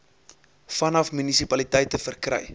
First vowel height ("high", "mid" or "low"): low